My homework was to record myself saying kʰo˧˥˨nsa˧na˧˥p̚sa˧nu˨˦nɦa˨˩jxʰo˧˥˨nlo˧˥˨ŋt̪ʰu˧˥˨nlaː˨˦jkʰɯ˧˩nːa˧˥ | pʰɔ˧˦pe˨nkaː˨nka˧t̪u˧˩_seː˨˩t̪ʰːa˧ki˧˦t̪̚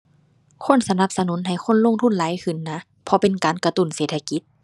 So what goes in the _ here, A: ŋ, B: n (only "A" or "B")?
B